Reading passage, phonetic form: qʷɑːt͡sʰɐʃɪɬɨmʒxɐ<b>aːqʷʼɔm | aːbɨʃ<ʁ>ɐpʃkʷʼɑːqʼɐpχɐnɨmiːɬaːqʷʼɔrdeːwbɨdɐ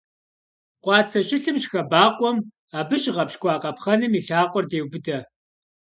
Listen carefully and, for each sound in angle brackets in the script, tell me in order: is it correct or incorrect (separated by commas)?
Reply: correct, correct